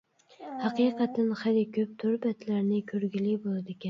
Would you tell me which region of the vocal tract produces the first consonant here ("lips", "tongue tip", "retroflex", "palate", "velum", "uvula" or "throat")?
throat